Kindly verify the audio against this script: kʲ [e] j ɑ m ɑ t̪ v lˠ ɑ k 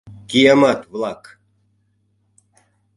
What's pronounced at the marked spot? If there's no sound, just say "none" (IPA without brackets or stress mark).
i